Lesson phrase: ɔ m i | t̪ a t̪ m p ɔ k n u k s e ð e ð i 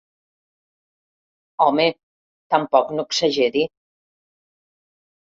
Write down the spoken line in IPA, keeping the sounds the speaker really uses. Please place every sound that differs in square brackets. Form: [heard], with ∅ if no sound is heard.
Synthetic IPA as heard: ɔ m [e] | t̪ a [∅] m p ɔ k n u k s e [ʒ] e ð i